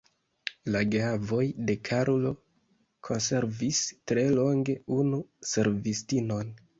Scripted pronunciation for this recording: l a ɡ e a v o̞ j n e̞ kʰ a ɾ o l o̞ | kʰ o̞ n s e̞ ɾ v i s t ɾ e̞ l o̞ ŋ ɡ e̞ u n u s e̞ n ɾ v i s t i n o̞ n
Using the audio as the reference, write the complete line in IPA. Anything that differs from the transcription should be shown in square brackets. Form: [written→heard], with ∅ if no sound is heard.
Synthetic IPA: l a ɡ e a v o̞ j [n→d] e̞ kʰ a ɾ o l o̞ | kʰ o̞ n s e̞ ɾ v i s t ɾ e̞ l o̞ ŋ ɡ e̞ u n u s e̞ [n→∅] ɾ v i s t i n o̞ n